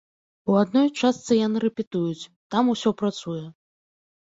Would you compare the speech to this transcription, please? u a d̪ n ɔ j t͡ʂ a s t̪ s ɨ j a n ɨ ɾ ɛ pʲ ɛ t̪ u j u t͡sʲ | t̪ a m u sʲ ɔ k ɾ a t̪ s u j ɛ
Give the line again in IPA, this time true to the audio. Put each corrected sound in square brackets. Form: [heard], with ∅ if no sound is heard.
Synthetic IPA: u a d̪ n ɔ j t͡ʂ a s t̪ s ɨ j a n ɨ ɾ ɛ pʲ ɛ t̪ u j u t͡sʲ | t̪ a m u sʲ ɔ [p] ɾ a t̪ s u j ɛ